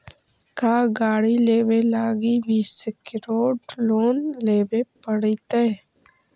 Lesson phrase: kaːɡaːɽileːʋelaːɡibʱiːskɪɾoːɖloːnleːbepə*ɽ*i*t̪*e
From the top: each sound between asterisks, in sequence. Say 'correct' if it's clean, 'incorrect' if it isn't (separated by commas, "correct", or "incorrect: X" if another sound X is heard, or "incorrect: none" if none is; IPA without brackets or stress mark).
correct, correct